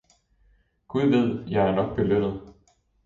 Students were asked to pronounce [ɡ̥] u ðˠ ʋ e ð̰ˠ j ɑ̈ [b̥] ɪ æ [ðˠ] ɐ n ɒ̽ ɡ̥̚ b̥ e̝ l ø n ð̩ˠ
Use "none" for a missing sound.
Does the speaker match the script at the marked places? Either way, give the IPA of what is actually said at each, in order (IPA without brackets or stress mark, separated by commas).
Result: ɡ̥, none, none